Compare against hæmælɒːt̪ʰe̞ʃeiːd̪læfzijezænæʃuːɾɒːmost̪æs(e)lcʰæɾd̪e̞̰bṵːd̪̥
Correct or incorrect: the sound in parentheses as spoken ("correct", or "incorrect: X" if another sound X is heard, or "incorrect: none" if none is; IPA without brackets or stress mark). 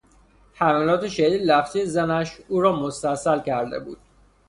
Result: incorrect: æ